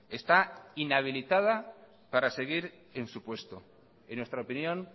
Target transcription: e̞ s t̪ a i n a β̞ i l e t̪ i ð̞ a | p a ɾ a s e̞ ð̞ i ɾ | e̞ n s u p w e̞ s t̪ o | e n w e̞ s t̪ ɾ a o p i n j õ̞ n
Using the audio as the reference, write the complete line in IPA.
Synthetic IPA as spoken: e̞ s t̪ a i n a β̞ i l i t̪ a ð̞ a | p a ɾ a s e̞ ɣ̞ i ɾ | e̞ n s u p w e̞ s t̪ o | e n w e̞ s t̪ ɾ a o p i n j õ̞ n